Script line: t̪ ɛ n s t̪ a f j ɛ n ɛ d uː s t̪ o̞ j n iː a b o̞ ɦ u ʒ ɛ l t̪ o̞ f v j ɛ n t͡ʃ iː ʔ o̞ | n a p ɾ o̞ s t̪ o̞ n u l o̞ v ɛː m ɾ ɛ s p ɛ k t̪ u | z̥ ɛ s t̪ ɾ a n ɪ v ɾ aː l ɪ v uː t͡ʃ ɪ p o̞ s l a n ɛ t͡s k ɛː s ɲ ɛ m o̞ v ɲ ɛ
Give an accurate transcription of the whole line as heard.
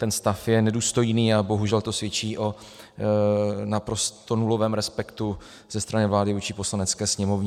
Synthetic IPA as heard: t̪ ɛ n s t̪ a f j ɛ n ɛ d uː s t̪ o̞ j n iː a b o̞ ɦ u ʒ ɛ l t̪ o̞ s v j ɛ t͡ʃ iː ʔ o̞ | n a p ɾ o̞ s t̪ o̞ n u l o̞ v ɛː m ɾ ɛ s p ɛ k t̪ u | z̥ ɛ s t̪ ɾ a n ɪ v l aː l ɪ v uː t͡ʃ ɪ p o̞ s l a n ɛ t͡s k ɛː s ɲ ɛ m o̞ v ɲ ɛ